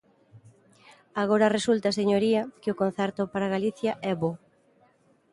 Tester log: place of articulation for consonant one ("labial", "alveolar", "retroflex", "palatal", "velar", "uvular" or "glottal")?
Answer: velar